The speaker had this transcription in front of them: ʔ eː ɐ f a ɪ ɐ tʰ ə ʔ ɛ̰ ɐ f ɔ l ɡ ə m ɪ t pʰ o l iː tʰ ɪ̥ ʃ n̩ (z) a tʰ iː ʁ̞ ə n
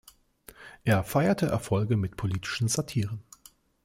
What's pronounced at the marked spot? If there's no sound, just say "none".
z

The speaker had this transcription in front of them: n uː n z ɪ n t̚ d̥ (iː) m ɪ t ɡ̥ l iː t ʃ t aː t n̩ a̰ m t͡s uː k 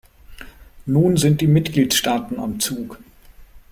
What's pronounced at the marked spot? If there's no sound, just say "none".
iː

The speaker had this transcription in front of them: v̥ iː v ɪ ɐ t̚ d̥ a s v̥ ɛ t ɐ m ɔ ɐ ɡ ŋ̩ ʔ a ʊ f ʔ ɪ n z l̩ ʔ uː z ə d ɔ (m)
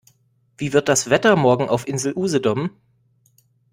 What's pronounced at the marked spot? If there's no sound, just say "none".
m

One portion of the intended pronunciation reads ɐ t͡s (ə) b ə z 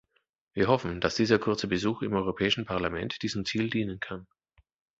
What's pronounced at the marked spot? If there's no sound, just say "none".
ə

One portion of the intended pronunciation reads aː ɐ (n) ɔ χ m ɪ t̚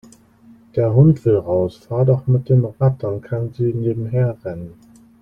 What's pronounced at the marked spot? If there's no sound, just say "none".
d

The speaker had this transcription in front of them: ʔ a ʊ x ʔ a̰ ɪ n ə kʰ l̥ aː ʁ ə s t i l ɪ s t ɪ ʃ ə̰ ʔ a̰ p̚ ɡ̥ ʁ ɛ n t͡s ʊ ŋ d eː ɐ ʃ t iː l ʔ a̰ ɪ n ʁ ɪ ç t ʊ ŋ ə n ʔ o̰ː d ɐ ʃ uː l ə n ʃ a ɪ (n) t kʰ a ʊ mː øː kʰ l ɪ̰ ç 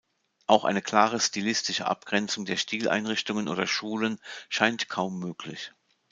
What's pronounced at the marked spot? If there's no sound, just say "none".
n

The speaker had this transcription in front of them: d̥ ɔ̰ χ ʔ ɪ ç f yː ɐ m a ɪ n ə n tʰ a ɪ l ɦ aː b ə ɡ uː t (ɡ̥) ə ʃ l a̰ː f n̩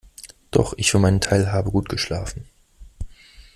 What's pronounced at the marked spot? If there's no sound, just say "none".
ɡ̥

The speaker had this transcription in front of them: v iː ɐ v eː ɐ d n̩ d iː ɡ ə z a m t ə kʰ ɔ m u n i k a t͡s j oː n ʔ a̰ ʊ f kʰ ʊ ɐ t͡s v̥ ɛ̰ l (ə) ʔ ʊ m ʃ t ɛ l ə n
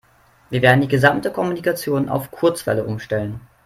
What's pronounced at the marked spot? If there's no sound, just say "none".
ə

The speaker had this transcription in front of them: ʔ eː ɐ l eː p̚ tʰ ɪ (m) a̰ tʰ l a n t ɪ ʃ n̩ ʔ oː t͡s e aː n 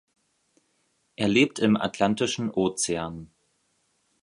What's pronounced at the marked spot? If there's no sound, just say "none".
m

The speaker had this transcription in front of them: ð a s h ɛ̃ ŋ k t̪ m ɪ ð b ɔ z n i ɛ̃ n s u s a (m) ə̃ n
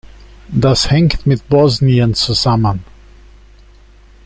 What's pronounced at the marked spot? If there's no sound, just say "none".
m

